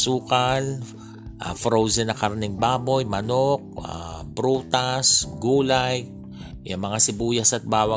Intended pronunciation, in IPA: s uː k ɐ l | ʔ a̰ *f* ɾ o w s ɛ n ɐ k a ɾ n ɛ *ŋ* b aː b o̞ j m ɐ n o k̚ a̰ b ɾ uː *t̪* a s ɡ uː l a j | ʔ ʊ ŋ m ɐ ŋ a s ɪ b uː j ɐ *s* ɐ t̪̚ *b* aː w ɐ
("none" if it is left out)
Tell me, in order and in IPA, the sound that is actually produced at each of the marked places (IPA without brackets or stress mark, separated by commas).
f, ŋ, t̪, s, b